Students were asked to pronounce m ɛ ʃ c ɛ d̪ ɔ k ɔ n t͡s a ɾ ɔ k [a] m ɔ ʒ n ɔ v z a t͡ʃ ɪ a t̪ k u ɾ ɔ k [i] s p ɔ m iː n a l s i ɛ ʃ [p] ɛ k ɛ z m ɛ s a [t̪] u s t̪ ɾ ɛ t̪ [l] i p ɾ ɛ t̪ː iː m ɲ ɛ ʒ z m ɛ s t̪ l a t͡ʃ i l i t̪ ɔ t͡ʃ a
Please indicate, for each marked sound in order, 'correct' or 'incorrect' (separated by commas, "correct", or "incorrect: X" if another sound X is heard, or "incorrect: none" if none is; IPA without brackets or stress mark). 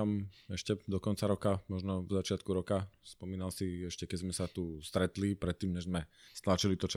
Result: correct, incorrect: a, incorrect: c, correct, correct